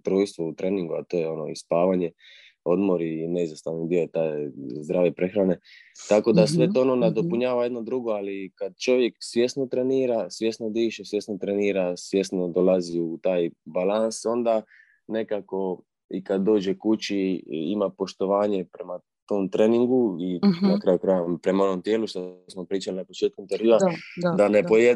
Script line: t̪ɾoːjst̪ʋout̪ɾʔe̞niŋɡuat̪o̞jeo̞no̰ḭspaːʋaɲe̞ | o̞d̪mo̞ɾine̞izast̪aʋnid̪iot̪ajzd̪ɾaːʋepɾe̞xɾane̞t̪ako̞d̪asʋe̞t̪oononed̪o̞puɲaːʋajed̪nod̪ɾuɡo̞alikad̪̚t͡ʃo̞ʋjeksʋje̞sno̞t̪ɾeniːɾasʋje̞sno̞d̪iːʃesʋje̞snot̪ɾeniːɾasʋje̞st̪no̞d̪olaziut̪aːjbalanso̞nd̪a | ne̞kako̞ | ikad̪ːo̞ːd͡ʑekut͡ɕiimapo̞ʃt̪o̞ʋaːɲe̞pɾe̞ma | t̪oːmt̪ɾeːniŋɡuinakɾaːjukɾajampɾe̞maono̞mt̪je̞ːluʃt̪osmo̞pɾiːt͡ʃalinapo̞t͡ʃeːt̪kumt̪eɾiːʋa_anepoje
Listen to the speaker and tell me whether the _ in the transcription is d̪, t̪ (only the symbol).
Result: d̪